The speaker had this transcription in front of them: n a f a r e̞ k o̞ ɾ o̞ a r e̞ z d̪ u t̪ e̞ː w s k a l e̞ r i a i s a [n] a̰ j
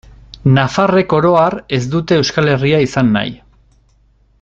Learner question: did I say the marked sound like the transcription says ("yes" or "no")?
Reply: no